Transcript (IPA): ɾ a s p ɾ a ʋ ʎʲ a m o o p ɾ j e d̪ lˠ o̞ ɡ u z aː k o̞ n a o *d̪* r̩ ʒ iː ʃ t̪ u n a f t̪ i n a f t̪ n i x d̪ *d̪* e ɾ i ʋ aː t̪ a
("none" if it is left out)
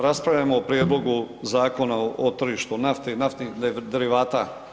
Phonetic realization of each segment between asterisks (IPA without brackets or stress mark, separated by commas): t̪, d̪